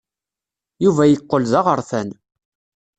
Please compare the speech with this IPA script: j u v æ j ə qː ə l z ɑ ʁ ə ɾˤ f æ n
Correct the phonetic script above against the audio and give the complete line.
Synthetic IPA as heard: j u v æ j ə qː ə l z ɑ ʁ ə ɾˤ θ æ n